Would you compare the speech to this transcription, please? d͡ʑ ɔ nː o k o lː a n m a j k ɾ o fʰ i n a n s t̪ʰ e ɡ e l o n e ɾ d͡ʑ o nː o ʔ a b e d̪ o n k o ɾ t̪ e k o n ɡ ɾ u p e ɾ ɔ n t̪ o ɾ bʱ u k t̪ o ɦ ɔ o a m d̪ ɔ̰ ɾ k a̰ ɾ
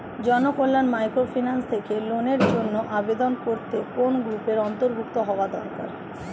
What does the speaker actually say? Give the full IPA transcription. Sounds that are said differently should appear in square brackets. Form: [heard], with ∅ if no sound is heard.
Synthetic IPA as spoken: d͡ʑ ɔ [n] o k o lː a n m a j k ɾ o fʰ i n a n s t̪ʰ e [k] e l o n e ɾ d͡ʑ o nː o ʔ a b e d̪ o n k o ɾ t̪ e k o n ɡ ɾ u p e ɾ ɔ n t̪ o ɾ bʱ u k t̪ o ɦ ɔ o a [∅] d̪ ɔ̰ ɾ k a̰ ɾ